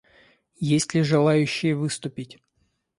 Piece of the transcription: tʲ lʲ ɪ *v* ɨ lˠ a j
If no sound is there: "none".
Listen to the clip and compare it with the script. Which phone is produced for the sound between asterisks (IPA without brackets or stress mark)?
ʐ